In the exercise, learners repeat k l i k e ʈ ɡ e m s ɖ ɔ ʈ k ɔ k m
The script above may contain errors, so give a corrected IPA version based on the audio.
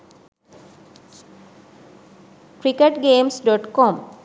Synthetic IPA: k ɾ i k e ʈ ɡ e m s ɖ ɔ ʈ k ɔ m